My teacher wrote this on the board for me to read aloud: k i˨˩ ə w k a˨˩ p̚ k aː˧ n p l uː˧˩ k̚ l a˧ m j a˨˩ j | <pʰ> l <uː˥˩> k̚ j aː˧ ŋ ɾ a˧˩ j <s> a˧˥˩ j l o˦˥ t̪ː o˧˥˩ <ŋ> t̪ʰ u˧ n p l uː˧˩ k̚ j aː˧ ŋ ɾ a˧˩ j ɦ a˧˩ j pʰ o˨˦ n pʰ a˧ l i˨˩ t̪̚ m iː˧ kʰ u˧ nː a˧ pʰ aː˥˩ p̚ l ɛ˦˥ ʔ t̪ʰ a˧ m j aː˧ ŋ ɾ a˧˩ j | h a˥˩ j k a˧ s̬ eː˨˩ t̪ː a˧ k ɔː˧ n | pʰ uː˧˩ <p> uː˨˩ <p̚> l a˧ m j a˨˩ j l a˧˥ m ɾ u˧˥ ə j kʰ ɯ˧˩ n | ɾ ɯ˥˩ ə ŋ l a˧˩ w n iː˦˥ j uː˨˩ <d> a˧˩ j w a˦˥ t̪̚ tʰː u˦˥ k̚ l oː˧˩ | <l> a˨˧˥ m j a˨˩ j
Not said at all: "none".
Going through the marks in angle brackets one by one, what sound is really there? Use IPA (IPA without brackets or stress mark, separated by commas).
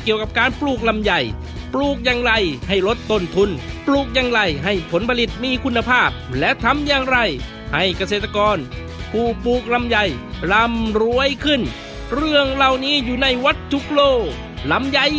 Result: p, uː˨˩, h, n, p, k̚, n, l